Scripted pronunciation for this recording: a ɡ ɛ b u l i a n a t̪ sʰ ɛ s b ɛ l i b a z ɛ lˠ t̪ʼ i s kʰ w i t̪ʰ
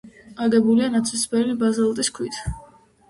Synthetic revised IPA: a ɡ ɛ b u l i a n a t̪ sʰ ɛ s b ɛ l i b a z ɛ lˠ t̪ʼ i s kʰ w i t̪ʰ